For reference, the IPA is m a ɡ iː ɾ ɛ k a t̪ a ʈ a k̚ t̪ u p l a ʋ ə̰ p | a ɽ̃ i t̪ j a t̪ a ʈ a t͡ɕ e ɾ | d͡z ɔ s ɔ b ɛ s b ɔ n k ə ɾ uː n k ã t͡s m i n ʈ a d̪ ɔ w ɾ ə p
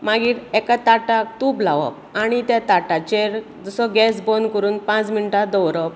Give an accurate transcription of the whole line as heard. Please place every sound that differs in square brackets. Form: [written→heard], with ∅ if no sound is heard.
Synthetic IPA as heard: m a ɡ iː ɾ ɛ k a t̪ a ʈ a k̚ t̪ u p l a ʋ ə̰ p | a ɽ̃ i t̪ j a t̪ a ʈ a t͡ɕ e ɾ | d͡z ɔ s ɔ [b→ɡ] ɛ s b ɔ n k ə ɾ uː n [k→p] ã t͡s m i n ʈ a d̪ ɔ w ɾ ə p